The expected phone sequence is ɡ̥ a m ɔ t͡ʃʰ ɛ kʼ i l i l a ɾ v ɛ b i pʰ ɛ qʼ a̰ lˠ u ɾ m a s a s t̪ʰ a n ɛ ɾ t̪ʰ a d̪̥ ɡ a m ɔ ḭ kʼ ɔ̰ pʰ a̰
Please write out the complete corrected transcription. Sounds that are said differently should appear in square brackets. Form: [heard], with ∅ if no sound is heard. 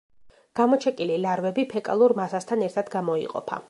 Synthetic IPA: ɡ̥ a m ɔ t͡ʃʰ ɛ kʼ i l i l a ɾ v ɛ b i pʰ ɛ [kʼ] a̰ lˠ u ɾ m a s a s t̪ʰ a n ɛ ɾ t̪ʰ a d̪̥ ɡ a m ɔ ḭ [qʼ] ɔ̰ pʰ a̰